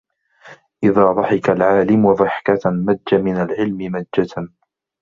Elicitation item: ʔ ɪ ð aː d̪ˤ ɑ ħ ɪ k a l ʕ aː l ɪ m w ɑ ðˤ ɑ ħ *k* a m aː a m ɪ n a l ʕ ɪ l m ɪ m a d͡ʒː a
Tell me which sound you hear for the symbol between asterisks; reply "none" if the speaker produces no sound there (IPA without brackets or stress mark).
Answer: k